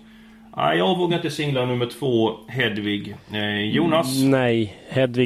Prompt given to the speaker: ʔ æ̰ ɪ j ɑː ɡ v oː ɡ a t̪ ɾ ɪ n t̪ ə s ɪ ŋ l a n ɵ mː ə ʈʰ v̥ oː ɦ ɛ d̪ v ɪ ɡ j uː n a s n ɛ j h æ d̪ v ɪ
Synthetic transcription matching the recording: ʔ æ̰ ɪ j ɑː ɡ v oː ɡ a ɾ ɪ n t̪ ə s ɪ ŋ l a n ɵ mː ə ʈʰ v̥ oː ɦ ɛ d̪ v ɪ ɡ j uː n a s n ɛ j h ɛ d̪ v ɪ